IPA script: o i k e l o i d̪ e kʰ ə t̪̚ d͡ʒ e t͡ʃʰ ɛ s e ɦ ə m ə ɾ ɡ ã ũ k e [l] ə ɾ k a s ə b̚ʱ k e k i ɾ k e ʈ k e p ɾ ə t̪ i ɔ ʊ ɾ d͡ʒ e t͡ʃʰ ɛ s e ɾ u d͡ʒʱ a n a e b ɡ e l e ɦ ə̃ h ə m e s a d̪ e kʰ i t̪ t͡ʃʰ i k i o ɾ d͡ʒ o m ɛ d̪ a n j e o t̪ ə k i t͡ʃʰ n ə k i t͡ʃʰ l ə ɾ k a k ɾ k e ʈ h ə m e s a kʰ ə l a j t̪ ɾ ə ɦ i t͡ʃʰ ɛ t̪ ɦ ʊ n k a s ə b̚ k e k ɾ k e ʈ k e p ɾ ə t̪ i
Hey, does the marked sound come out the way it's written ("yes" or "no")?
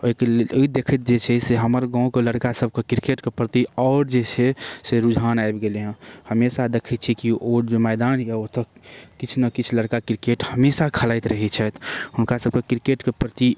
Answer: yes